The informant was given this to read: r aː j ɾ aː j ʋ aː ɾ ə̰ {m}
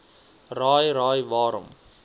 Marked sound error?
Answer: no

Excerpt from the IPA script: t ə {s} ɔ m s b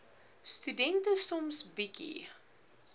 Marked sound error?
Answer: no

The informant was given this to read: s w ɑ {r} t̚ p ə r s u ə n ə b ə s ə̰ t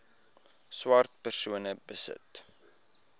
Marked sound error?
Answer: no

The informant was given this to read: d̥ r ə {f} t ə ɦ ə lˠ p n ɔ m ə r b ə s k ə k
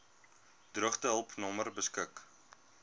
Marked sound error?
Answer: yes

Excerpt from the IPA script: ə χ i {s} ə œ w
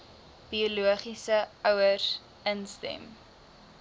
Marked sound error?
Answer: no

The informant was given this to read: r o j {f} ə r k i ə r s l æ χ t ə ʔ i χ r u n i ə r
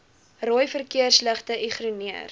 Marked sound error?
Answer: no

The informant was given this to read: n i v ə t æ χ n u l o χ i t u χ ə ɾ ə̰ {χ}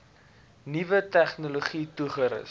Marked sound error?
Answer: yes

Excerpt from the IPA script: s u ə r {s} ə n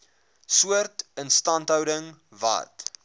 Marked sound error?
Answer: yes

